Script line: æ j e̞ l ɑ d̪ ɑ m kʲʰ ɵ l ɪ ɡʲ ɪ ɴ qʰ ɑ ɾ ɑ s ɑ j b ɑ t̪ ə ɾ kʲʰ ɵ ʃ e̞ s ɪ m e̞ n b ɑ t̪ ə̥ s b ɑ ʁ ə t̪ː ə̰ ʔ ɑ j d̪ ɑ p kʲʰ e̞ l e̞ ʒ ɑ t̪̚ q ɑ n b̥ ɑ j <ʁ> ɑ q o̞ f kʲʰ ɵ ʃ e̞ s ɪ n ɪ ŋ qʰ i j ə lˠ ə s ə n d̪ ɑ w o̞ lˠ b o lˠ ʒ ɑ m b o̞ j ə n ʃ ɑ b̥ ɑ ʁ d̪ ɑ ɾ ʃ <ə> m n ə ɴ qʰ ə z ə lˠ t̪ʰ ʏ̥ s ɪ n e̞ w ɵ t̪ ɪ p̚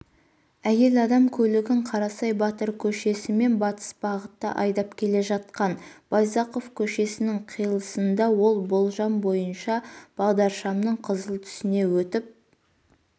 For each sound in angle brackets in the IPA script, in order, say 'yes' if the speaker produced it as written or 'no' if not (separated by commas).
no, no